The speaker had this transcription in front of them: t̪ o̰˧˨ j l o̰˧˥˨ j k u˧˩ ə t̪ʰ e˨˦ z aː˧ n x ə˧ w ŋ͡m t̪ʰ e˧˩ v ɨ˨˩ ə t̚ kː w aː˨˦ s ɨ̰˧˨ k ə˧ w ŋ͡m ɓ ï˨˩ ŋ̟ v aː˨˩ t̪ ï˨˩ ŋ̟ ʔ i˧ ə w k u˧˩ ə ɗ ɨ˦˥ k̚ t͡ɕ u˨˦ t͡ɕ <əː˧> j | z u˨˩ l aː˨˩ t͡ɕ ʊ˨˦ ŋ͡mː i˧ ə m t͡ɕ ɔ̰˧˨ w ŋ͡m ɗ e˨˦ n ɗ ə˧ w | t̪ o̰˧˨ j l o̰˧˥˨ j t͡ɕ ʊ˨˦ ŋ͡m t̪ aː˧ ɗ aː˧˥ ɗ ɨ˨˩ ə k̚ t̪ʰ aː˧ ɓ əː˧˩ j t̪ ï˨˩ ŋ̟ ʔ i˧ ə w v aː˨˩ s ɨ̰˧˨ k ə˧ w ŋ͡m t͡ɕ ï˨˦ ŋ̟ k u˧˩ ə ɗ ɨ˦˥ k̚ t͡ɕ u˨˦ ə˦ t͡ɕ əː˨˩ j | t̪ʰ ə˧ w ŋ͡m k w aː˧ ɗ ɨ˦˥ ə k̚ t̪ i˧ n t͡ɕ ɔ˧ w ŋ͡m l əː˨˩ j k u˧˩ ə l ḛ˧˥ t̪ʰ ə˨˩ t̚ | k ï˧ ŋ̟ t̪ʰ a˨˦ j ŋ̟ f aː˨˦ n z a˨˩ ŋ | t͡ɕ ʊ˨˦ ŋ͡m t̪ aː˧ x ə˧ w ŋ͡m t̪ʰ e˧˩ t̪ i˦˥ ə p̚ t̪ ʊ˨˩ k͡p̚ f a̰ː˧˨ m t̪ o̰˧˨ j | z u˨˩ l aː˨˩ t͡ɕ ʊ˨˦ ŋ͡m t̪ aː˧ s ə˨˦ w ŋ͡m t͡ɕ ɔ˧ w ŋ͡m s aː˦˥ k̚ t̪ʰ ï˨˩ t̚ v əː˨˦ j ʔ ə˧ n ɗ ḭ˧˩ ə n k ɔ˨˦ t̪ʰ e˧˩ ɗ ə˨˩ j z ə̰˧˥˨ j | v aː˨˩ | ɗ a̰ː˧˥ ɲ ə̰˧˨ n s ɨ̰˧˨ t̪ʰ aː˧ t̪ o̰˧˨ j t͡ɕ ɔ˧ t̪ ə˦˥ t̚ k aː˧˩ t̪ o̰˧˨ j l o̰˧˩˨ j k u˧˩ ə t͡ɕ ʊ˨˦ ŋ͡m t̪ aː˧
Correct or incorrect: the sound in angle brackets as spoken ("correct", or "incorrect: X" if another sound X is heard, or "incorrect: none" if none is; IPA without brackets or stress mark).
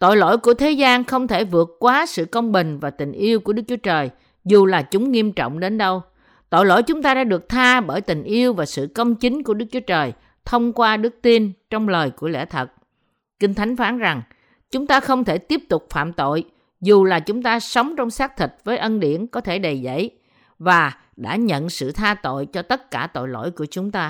incorrect: əː˨˩